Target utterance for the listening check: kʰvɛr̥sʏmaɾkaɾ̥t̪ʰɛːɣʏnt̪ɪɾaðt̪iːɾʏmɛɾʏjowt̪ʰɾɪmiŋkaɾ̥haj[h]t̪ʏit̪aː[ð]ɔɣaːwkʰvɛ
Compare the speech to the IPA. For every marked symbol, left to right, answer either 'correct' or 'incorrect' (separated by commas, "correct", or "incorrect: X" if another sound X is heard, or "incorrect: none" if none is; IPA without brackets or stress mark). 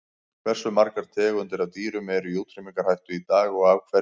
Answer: correct, incorrect: ɣ